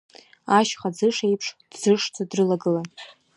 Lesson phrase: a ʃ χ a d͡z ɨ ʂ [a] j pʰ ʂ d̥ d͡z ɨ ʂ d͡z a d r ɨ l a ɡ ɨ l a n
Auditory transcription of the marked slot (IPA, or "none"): e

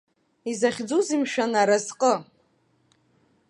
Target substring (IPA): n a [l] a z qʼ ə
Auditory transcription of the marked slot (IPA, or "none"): ɾ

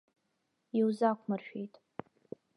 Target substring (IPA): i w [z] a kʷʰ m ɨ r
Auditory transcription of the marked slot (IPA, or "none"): z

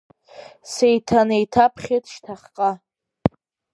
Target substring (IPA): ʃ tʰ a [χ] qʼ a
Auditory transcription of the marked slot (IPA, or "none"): χ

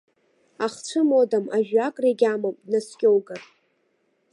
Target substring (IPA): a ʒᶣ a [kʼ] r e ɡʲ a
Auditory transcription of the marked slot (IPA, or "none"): kʼ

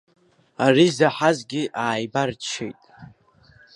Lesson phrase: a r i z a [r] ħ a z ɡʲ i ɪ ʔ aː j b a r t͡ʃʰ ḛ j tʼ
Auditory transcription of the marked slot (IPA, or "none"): none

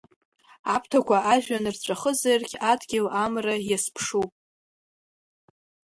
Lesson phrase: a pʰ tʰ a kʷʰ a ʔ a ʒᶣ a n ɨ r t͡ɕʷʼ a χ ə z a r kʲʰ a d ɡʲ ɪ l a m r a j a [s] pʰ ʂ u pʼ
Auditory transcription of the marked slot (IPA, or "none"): s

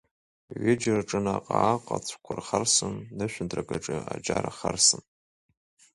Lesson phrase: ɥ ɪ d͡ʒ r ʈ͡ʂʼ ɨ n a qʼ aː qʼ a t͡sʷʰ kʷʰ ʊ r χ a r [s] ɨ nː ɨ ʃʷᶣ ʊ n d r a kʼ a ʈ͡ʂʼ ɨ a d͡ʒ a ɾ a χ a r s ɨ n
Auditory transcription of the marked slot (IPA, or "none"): s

